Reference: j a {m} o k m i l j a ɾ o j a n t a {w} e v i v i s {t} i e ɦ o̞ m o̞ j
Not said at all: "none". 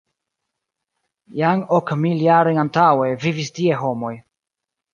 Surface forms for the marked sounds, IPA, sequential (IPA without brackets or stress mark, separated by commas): ŋ, w, t